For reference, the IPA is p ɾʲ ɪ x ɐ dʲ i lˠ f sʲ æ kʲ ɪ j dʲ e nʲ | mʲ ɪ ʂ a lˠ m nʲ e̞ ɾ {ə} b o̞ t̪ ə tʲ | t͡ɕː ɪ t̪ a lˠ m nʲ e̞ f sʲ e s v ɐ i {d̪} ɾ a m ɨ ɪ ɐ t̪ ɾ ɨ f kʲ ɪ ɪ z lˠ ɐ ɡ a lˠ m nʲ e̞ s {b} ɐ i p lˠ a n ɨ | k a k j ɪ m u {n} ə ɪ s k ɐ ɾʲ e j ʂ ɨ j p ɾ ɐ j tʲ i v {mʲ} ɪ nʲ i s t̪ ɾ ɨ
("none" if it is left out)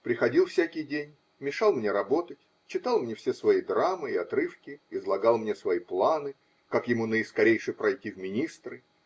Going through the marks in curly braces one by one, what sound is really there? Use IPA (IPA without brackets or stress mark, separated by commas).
ɐ, d̪, v, n, mʲ